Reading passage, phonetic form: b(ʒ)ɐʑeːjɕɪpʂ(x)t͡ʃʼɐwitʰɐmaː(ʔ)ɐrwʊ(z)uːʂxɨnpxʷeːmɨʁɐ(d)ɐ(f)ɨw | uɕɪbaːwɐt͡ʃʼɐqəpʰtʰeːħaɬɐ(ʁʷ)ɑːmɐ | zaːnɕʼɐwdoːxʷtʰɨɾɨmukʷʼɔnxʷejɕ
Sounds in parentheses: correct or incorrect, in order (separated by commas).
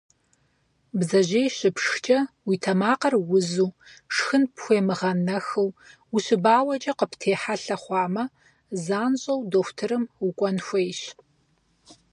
incorrect, correct, incorrect, correct, incorrect, incorrect, incorrect